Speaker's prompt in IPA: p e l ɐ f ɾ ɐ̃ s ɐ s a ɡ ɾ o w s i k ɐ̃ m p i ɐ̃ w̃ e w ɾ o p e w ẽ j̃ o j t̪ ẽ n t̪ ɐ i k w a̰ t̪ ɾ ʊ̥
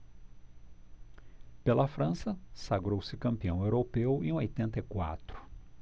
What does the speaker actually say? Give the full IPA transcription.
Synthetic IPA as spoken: p e l ɐ f ɾ ɐ̃ s ɐ s a ɡ ɾ o w s ɪ k ɐ̃ m p i ɐ̃ w̃ e w ɾ o p e w ẽ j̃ o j t̪ ẽ n t̪ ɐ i k w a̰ t̪ ɾ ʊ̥